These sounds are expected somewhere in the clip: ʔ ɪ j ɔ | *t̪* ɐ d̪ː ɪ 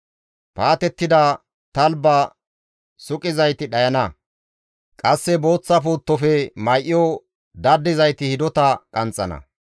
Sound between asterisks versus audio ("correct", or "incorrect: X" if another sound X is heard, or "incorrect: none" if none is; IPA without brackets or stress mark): incorrect: d̪